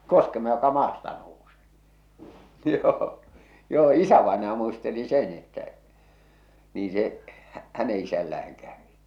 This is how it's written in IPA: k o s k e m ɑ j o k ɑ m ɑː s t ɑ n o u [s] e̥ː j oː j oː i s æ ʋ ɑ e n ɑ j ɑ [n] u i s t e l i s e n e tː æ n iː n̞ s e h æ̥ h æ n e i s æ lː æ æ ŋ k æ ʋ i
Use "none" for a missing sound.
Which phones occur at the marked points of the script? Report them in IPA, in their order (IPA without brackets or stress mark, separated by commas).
s, m